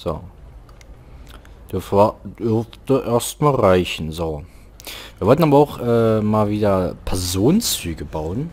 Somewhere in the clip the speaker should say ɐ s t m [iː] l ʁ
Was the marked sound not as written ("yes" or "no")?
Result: yes